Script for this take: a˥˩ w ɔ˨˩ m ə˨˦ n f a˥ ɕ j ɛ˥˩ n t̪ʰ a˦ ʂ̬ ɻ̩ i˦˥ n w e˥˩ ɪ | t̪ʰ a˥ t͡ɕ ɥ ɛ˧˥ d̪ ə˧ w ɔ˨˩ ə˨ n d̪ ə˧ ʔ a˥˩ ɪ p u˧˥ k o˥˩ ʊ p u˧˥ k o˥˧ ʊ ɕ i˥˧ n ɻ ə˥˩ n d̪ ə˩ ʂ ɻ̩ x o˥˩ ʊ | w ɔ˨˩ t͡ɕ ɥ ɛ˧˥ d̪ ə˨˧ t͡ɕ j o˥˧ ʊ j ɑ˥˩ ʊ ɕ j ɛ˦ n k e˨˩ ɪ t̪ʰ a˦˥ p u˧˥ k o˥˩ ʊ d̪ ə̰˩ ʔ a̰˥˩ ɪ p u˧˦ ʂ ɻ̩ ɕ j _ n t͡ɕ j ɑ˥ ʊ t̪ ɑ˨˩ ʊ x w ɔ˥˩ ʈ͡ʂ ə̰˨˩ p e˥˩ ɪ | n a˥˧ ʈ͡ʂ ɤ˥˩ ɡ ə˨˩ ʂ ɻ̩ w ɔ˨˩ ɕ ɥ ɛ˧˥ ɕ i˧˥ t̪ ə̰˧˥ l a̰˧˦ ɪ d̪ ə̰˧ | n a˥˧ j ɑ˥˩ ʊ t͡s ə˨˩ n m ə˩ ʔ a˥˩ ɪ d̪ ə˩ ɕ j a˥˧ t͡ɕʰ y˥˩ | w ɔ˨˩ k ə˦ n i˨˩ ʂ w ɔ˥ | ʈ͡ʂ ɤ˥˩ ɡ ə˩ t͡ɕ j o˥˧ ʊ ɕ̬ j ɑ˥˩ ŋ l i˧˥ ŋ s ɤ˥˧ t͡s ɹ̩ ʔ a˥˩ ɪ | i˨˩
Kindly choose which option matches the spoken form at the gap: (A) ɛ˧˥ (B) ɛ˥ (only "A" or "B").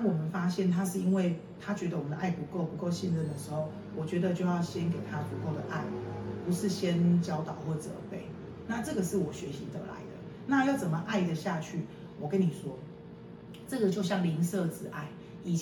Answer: B